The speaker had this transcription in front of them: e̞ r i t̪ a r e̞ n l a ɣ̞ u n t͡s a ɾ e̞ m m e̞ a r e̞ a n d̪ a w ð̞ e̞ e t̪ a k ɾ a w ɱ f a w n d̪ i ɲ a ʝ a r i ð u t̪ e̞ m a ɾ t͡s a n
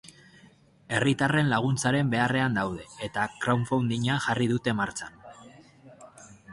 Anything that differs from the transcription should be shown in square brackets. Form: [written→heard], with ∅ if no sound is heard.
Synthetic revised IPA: e̞ r i t̪ a r e̞ n l a ɣ̞ u n t͡s a ɾ e̞ m [m→b] e̞ a r e̞ a n d̪ a w ð̞ e̞ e t̪ a k ɾ a w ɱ f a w n d̪ i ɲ a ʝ a r i ð u t̪ e̞ m a ɾ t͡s a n